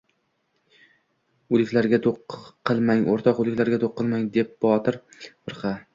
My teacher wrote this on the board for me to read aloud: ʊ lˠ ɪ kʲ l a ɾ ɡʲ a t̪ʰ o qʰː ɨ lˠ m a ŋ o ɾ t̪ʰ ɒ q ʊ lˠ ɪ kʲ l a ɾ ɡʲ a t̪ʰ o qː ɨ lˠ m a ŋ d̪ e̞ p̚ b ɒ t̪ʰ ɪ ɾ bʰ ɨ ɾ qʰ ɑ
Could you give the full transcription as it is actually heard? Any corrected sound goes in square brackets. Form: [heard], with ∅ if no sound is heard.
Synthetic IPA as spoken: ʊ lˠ ɪ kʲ l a ɾ ɡʲ a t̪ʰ o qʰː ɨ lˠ m a ŋ o ɾ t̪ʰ ɒ q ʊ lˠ ɪ kʲ l a ɾ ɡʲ a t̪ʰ o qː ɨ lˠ m a ŋ d̪ e̞ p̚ b ɒ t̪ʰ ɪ ɾ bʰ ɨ ɾ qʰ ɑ